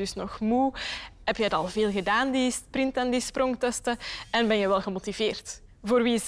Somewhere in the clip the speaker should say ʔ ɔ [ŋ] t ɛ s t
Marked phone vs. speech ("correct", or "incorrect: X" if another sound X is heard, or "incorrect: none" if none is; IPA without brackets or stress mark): correct